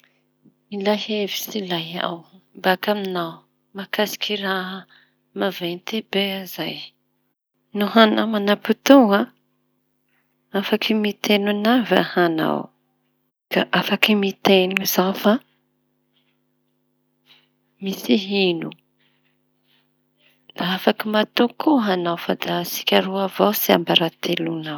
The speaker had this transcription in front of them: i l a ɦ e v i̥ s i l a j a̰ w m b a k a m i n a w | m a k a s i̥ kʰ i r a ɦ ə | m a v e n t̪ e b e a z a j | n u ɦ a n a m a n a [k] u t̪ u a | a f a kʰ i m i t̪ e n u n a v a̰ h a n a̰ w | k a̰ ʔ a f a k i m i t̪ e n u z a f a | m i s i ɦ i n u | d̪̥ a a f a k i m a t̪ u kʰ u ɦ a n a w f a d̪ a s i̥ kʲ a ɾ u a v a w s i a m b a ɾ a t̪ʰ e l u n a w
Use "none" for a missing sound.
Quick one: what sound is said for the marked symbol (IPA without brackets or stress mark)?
p